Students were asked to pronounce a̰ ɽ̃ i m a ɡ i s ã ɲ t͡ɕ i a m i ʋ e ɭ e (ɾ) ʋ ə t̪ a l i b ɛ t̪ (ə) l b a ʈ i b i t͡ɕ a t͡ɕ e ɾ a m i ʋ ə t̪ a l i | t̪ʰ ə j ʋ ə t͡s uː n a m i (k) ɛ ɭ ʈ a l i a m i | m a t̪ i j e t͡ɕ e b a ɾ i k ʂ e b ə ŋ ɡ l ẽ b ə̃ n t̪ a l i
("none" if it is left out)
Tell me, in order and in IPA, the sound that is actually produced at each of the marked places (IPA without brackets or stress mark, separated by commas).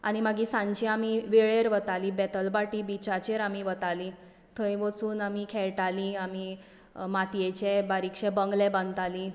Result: ɾ, ə, kʰ